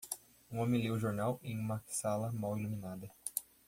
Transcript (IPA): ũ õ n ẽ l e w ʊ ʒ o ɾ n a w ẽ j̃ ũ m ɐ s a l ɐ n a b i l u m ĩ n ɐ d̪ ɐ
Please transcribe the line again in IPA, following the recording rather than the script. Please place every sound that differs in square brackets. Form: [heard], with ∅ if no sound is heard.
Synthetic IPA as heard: ũ õ [m] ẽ l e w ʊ ʒ o ɾ n a w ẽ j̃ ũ m ɐ s a l ɐ [m] a [w] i l u m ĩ n [a] d̪ ɐ